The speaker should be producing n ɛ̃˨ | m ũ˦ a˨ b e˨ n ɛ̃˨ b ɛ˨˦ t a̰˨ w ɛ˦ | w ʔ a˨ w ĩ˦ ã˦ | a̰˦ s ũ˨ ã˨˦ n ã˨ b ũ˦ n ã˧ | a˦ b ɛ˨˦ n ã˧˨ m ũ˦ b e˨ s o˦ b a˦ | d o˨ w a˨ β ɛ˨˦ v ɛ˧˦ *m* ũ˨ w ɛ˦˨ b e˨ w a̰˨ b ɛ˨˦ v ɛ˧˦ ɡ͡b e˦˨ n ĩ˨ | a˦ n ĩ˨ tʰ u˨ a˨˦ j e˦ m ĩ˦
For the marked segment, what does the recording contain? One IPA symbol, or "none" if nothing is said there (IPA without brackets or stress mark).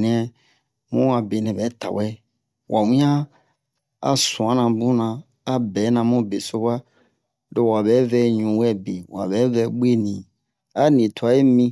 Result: ɲ